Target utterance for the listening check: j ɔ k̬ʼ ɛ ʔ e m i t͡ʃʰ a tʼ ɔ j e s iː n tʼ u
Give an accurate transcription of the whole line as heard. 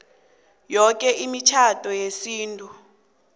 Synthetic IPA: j ɔ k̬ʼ ɛ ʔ i m i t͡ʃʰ a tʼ ɔ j e s iː n tʼ u